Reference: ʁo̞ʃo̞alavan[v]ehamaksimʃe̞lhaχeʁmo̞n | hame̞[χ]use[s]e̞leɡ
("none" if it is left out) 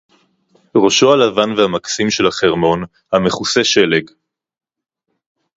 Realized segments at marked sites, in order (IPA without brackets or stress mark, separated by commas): v, χ, ʃ